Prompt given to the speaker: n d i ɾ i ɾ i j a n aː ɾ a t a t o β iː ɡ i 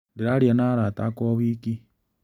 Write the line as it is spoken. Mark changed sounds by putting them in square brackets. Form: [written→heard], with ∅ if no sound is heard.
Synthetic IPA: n d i ɾ [i→a] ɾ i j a n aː ɾ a t a [t→k] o β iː [ɡ→k] i